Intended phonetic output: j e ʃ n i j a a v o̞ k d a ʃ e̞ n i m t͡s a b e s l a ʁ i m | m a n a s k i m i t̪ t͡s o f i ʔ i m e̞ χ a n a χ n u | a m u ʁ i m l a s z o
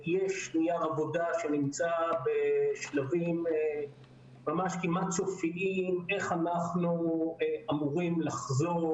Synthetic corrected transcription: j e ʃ n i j a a v o̞ d a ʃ e̞ n i m t͡s a b e ʃ l a v i m | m a m a ʃ k i m a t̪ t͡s o f i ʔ i m e̞ χ a n a χ n u | a m u ʁ i m l a χ z o